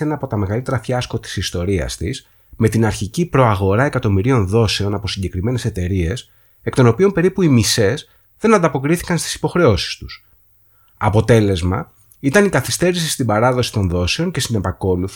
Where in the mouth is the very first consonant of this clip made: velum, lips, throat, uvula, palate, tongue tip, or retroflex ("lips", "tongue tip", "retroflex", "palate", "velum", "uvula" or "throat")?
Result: tongue tip